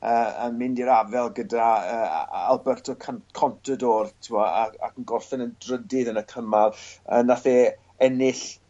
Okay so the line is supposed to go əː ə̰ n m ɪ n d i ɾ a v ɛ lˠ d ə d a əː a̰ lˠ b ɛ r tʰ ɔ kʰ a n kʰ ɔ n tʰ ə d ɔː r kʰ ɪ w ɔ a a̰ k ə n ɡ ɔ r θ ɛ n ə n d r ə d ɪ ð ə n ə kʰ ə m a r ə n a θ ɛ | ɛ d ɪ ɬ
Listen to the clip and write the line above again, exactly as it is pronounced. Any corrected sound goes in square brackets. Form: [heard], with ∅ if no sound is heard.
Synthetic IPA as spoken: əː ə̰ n m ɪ n d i ɾ a v ɛ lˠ [ɡ] ə d a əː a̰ lˠ b ɛ r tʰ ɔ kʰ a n kʰ ɔ n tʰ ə d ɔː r [tʰ] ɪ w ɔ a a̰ k ə n ɡ ɔ r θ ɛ n ə n d r ə d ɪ ð ə n ə kʰ ə m a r ə n a θ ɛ | ɛ [n] ɪ ɬ